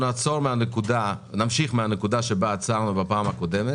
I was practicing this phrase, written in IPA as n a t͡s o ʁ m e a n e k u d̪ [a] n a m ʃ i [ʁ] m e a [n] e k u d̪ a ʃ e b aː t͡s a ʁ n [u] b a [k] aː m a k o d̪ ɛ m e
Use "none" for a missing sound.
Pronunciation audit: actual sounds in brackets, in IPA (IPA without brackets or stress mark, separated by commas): a, χ, n, u, p